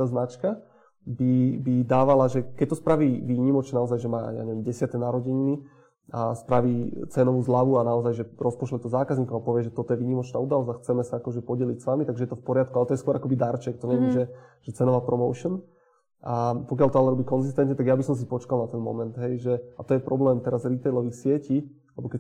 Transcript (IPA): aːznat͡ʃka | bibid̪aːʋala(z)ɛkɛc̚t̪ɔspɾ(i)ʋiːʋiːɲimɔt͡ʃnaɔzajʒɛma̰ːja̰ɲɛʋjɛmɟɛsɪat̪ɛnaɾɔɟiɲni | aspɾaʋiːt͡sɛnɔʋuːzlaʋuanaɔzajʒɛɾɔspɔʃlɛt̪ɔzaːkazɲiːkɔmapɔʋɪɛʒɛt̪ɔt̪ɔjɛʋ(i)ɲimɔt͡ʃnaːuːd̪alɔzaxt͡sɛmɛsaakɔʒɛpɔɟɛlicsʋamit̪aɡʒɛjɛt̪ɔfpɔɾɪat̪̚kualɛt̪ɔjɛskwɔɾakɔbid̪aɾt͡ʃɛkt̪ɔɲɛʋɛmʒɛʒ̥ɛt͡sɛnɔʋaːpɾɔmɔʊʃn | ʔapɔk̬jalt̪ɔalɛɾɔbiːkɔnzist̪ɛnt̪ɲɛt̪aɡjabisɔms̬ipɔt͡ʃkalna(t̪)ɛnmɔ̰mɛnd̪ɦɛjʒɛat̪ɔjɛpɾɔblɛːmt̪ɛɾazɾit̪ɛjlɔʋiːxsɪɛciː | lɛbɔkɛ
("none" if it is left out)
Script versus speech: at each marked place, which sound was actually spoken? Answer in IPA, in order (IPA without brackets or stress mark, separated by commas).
ʒ, a, iː, t̪